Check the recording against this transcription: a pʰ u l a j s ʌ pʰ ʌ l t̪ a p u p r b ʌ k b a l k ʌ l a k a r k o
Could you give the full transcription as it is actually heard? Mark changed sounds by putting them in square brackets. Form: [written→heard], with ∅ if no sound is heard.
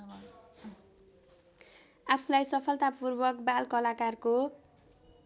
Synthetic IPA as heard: a pʰ u l a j s ʌ pʰ ʌ l t̪ a p u [p→∅] r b ʌ k b a l k ʌ l a k a r k o